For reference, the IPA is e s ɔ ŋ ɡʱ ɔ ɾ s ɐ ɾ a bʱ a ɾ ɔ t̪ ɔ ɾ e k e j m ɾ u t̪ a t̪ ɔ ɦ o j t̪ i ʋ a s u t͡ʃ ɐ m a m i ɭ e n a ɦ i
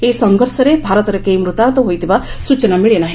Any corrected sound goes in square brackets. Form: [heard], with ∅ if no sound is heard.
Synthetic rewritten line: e s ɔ ŋ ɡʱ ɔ ɾ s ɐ ɾ [e] bʱ a ɾ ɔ t̪ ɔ ɾ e k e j m ɾ u t̪ a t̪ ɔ ɦ o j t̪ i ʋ a s u t͡ʃ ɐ [n] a m i ɭ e n a ɦ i